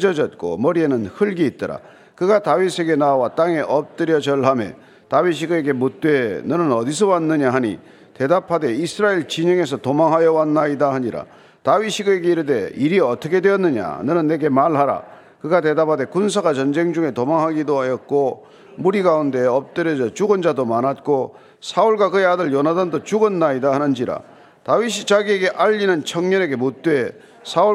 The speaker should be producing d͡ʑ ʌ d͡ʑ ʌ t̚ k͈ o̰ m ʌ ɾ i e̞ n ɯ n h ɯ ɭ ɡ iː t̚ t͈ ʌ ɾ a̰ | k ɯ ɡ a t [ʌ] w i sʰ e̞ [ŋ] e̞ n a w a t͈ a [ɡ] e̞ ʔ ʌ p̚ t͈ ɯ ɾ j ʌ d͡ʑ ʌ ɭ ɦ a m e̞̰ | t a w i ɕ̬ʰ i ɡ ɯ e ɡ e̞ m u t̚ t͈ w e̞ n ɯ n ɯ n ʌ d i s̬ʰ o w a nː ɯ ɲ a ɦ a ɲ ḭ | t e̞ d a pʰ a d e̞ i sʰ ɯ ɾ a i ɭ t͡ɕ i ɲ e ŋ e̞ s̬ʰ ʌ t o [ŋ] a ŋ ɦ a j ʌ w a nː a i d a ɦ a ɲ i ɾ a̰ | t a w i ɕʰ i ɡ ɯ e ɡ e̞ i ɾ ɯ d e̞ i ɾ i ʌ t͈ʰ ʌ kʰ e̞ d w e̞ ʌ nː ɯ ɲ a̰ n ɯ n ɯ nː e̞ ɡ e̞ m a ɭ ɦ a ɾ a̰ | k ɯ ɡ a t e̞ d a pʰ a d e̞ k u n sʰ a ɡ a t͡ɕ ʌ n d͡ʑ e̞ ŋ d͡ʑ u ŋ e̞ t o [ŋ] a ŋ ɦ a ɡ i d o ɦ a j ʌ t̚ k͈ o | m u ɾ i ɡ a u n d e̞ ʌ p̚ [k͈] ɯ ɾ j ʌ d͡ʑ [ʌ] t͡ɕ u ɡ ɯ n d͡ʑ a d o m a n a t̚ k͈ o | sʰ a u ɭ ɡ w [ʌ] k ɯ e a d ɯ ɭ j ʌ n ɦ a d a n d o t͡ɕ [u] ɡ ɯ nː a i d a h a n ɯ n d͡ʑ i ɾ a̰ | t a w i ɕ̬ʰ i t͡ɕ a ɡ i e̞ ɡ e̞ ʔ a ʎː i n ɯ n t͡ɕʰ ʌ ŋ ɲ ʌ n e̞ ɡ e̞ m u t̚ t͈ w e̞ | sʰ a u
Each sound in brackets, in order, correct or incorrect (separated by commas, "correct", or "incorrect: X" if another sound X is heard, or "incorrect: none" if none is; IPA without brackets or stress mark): incorrect: a, incorrect: ɡ, incorrect: ŋ, incorrect: m, incorrect: m, incorrect: t͈, correct, incorrect: a, correct